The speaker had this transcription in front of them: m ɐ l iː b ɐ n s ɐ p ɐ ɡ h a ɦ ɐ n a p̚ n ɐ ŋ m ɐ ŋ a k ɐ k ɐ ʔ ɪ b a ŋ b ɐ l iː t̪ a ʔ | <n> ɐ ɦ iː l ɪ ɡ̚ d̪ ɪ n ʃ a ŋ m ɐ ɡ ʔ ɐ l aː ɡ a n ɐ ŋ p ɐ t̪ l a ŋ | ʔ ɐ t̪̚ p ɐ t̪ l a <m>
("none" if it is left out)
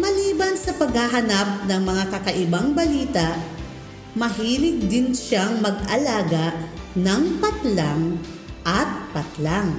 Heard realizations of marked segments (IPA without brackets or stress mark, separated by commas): m, ŋ